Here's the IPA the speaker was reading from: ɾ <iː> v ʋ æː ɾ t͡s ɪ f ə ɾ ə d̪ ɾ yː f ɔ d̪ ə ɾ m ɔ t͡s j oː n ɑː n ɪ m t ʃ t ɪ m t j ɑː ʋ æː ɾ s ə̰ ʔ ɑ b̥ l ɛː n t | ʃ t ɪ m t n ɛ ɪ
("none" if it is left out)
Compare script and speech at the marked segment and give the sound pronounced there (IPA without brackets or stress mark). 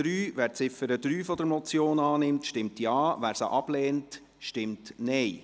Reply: yː